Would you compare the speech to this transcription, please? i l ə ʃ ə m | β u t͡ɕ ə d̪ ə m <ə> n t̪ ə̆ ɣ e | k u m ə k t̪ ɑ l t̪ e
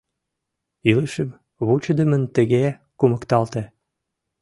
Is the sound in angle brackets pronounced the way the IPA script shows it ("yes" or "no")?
yes